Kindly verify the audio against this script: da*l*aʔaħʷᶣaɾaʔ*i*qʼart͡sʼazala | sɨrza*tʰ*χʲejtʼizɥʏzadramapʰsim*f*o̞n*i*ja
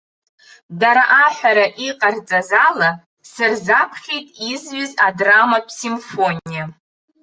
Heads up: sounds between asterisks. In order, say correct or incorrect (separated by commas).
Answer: incorrect, correct, incorrect, correct, correct